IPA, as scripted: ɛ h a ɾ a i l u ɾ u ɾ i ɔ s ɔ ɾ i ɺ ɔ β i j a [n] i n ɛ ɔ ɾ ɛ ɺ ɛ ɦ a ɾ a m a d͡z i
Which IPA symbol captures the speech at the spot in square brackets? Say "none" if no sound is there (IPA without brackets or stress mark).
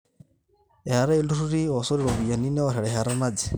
n